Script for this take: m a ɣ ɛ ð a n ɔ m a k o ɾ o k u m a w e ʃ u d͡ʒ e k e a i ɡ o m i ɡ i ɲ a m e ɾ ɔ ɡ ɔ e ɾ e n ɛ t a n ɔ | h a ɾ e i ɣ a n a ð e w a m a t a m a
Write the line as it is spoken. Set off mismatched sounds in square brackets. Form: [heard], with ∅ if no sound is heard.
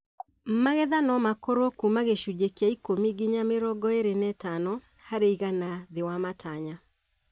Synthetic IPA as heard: m a ɣ ɛ ð a n ɔ m a k o ɾ o k u m a [ɣ] e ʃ u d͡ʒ e k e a i [k] o m i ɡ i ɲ a m e ɾ ɔ ɡ ɔ e ɾ e n ɛ t a n ɔ | h a ɾ e i ɣ a n a ð e w a m a t a [ɲ] a